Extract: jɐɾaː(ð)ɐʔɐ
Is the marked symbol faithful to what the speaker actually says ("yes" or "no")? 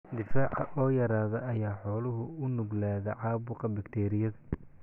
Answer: yes